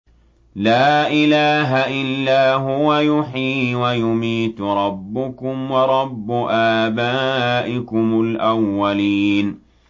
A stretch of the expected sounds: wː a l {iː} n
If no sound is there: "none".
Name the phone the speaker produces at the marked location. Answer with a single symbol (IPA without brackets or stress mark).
iː